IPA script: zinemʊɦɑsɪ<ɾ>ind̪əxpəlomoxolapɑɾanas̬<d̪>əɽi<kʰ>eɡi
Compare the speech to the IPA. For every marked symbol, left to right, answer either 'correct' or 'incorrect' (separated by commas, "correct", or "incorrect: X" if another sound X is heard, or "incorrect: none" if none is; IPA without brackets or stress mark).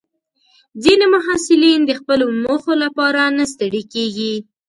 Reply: incorrect: l, incorrect: t̪, incorrect: k